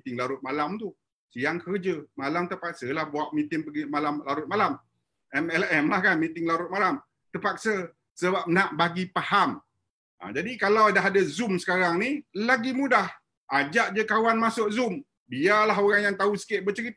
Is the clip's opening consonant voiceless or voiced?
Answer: voiceless